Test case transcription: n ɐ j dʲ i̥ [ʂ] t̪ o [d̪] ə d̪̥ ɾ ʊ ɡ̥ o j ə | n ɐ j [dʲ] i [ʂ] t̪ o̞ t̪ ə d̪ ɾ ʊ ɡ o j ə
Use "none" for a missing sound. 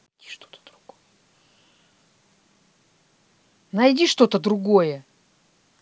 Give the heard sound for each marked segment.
ʂ, t̪, dʲ, ʂ

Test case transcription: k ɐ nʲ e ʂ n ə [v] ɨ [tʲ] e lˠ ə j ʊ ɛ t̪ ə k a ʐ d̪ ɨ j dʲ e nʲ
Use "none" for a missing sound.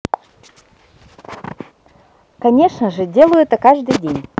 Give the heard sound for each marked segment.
ʐ, dʲ

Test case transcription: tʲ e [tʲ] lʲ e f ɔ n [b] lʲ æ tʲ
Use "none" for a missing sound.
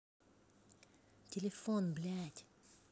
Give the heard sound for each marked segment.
none, b

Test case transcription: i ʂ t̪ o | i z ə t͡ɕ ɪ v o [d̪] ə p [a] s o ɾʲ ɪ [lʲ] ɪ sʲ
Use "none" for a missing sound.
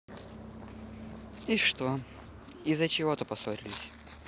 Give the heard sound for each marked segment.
t̪, ɐ, lʲ

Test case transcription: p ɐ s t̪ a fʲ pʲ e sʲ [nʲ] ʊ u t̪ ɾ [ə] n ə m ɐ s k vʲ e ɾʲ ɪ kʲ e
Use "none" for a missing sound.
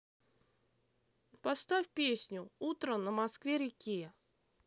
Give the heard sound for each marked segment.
nʲ, ə

